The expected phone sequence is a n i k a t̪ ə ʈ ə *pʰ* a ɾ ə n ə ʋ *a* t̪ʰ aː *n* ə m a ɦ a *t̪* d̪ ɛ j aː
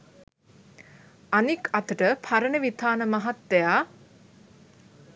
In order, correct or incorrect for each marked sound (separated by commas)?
correct, incorrect, correct, correct